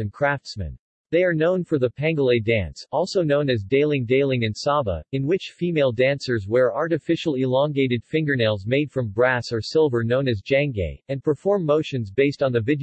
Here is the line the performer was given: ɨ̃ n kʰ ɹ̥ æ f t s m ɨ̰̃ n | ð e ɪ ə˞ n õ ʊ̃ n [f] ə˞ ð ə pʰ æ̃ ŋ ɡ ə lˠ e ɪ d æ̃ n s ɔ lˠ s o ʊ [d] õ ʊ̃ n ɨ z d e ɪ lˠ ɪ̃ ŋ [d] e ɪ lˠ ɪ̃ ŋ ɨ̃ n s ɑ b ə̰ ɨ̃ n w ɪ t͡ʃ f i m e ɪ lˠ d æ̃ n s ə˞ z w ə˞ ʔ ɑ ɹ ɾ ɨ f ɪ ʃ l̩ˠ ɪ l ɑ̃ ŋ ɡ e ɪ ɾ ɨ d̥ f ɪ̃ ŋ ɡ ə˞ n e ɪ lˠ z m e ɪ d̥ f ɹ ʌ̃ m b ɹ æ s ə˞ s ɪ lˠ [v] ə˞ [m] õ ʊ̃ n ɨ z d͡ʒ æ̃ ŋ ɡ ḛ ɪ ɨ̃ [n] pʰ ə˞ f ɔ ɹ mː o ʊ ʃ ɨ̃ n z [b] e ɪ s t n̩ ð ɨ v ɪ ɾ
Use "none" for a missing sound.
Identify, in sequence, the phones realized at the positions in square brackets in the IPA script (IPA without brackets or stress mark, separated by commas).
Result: f, n, d, v, n, n, b